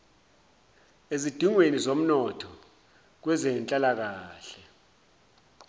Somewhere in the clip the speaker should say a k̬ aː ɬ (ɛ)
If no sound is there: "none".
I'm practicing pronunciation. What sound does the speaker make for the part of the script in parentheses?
ɛ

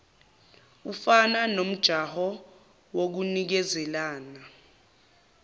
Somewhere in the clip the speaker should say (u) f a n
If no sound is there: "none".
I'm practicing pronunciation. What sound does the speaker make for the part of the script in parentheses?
u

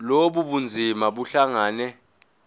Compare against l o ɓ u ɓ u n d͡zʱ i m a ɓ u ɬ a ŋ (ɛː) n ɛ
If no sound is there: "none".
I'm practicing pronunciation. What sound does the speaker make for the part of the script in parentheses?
aː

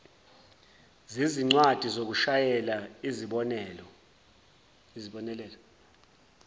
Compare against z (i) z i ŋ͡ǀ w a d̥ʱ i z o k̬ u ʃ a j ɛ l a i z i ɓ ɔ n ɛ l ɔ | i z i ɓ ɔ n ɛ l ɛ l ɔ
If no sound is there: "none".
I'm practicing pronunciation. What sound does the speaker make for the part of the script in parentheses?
i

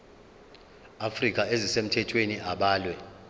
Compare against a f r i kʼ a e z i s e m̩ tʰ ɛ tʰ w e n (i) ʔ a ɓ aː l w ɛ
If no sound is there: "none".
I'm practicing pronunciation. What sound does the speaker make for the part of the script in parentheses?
i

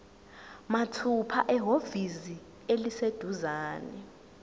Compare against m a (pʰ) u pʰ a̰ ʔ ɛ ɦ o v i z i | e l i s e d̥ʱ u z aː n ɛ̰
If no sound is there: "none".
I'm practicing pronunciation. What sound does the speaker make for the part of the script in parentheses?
tʰ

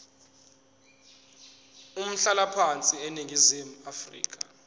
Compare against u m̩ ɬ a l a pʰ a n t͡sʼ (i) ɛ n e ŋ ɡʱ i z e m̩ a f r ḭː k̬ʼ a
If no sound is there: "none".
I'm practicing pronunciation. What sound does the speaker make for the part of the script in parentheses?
i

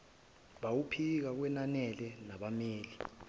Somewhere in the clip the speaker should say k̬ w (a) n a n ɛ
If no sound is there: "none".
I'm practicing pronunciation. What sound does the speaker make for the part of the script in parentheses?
ɛ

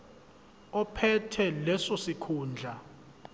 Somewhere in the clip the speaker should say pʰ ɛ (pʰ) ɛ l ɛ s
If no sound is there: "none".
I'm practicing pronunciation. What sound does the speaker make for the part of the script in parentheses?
tʰ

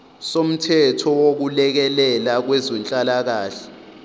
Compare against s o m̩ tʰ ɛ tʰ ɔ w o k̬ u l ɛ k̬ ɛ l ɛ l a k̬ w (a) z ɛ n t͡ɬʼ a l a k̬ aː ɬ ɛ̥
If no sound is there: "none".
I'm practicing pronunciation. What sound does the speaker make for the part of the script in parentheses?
ɛ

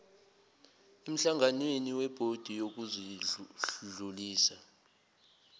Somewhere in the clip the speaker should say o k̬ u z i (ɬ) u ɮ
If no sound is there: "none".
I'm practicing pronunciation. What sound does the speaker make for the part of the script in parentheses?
ɬ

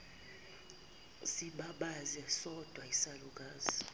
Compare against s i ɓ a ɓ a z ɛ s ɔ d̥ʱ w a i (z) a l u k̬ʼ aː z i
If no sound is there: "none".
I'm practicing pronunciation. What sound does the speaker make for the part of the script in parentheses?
s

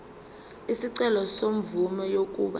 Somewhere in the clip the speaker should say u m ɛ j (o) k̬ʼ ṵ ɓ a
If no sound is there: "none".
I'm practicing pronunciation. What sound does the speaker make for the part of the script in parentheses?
o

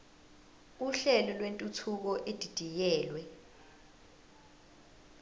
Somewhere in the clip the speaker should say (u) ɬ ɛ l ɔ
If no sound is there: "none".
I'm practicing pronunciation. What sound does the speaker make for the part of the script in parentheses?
u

